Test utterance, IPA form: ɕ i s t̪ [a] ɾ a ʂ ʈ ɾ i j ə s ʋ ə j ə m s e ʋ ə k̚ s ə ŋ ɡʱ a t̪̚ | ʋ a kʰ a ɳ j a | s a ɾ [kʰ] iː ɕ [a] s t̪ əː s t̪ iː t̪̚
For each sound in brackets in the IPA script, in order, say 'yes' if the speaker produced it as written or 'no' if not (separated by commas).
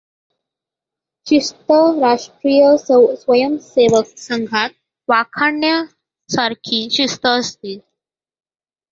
no, yes, no